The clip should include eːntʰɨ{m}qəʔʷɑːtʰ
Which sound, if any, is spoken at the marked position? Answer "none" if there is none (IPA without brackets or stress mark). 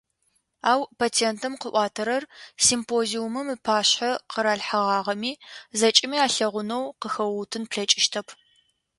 m